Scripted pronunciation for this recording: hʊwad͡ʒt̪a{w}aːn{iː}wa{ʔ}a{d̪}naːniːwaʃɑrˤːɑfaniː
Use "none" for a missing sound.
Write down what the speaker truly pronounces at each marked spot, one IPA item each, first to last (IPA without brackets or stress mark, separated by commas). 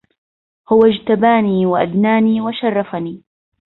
b, iː, ʔ, d̪